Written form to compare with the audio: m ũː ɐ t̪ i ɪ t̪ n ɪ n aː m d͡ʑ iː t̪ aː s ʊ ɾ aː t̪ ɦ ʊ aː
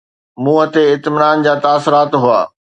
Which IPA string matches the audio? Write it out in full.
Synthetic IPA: m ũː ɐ t̪ e ɪ t̪ m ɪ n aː n d͡ʑ aː t̪ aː s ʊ ɾ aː t̪ ɦ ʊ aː